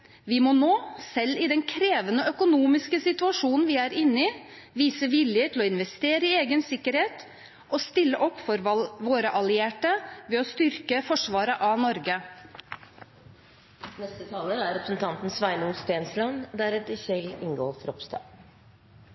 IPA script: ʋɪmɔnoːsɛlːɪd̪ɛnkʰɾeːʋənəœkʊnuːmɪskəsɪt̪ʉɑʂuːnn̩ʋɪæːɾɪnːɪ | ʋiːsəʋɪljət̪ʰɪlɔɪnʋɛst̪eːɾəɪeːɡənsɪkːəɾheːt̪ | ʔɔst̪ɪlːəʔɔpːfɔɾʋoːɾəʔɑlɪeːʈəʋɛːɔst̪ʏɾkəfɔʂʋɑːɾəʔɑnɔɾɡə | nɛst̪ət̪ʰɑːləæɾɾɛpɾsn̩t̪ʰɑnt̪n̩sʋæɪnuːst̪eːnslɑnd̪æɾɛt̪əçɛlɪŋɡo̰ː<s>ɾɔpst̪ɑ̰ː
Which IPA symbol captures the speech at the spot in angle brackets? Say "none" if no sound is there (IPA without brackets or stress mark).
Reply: f